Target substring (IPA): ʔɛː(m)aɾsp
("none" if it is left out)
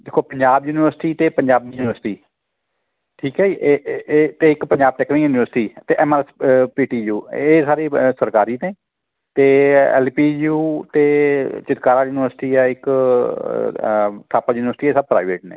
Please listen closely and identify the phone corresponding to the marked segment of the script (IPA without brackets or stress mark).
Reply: m